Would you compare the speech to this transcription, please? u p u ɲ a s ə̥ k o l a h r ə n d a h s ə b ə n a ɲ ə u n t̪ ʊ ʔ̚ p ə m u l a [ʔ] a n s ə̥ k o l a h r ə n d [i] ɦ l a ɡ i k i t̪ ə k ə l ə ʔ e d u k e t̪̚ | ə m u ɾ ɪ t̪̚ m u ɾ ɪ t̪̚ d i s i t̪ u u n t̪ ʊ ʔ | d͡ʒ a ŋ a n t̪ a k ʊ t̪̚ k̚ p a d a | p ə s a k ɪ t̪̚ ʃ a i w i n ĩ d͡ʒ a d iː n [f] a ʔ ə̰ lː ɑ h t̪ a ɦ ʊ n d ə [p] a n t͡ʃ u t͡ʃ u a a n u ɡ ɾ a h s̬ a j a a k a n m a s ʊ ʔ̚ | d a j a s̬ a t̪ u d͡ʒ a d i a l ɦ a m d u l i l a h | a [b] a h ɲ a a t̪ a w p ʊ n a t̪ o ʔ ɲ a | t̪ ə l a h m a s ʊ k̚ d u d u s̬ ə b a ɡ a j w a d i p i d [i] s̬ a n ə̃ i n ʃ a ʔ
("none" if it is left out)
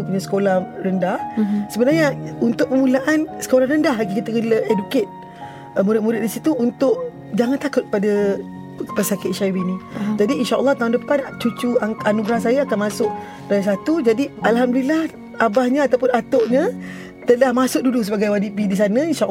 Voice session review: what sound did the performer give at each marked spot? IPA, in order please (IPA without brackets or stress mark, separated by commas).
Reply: ʔ, a, ʃ, p, b, i